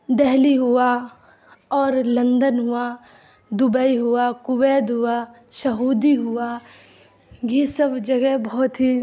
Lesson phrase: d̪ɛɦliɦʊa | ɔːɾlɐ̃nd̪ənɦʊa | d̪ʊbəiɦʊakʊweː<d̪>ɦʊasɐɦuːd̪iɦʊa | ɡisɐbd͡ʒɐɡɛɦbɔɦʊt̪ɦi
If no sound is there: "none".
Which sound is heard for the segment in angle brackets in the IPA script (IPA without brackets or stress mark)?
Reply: d̪